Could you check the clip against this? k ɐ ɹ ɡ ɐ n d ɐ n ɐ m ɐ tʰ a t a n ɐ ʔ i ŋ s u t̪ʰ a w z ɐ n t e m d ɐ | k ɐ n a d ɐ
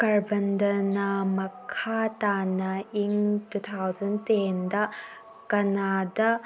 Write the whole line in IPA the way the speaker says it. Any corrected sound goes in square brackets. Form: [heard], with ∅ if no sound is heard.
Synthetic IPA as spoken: k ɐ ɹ [b] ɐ n d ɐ n ɐ m ɐ [kʰ] a t a n ɐ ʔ i ŋ [t] u t̪ʰ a w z ɐ n t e [n] d ɐ | k ɐ n a d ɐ